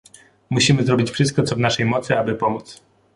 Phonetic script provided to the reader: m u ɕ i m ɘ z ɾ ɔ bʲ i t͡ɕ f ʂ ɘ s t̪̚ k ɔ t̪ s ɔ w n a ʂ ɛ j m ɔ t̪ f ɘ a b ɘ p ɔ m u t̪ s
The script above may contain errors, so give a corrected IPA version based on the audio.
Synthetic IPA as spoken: m u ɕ i m ɘ z ɾ ɔ bʲ i t͡ɕ f ʂ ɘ s t̪̚ k ɔ t̪ s ɔ v n a ʂ ɛ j m ɔ t̪ s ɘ a b ɘ p ɔ m u t̪ s